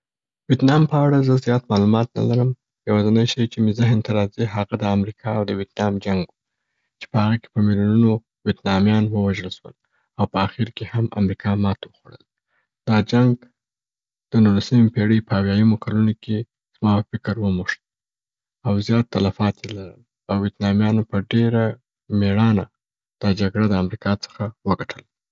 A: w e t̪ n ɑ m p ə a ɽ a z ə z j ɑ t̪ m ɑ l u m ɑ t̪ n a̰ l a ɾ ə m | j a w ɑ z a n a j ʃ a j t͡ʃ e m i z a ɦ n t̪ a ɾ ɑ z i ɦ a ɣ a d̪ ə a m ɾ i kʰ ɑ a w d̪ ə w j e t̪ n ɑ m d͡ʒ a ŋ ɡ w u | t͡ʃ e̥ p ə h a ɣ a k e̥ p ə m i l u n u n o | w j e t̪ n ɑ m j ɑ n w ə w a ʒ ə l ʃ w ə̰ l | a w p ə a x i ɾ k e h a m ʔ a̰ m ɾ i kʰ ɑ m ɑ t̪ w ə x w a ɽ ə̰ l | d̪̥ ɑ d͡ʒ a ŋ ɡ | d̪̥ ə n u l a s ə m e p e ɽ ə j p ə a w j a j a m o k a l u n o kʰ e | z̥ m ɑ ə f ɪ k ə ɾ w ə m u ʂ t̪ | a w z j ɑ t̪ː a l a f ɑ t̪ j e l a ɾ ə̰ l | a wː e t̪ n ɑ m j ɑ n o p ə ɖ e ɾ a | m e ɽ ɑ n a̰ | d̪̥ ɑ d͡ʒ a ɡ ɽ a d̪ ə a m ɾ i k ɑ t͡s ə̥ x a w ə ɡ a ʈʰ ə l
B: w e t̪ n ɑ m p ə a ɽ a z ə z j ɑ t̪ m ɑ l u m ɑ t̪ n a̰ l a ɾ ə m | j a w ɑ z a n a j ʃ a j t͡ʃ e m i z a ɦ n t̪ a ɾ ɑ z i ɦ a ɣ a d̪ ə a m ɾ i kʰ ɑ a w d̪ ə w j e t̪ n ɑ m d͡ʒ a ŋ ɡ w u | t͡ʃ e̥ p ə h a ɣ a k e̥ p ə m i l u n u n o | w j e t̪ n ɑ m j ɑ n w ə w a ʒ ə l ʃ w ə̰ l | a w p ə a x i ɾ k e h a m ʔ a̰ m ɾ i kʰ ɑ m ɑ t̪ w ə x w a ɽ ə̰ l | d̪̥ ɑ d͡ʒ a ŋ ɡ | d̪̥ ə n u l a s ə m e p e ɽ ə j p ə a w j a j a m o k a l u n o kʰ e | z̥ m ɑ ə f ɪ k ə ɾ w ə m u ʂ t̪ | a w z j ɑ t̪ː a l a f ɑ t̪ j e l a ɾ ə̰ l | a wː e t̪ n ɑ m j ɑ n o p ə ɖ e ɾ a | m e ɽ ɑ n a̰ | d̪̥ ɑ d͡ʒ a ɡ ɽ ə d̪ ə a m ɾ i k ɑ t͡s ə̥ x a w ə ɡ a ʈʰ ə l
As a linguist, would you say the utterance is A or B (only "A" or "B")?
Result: A